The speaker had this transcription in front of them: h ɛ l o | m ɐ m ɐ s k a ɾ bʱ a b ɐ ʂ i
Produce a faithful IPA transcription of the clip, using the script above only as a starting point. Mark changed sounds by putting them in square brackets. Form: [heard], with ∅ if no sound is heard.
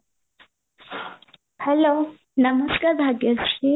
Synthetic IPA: h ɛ l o | [n] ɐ m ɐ s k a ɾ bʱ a [ɡ] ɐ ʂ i